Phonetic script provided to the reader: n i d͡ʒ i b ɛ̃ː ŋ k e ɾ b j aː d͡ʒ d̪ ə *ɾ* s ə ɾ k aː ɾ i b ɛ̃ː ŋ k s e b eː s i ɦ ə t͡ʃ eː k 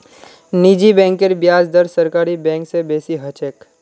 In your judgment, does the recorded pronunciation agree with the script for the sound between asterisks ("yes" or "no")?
yes